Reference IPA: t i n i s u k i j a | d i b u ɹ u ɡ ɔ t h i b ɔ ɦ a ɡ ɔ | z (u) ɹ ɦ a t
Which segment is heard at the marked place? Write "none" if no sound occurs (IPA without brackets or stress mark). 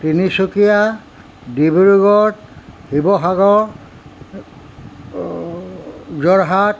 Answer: ɔ